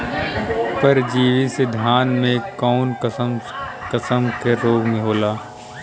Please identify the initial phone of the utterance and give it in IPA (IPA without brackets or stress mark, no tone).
p